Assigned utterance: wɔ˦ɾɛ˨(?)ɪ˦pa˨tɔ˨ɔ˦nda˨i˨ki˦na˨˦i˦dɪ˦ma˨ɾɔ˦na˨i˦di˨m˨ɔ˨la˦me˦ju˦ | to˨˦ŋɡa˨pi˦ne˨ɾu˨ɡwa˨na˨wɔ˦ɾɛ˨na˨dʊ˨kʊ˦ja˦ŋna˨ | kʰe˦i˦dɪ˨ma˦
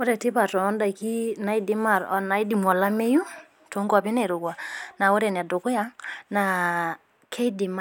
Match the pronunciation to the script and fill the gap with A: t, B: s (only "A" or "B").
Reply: A